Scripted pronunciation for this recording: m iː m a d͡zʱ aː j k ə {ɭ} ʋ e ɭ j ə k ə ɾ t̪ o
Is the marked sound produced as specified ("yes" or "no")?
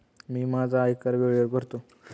no